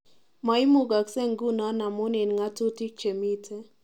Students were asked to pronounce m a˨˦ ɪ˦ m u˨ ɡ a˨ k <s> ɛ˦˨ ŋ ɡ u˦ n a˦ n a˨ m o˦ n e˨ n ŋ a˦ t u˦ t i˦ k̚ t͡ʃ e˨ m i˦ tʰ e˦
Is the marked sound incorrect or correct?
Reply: correct